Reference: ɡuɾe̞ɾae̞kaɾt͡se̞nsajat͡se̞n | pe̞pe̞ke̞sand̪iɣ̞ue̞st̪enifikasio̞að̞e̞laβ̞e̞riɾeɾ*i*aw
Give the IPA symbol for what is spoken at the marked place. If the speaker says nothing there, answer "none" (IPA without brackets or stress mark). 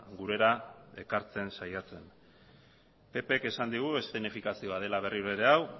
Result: e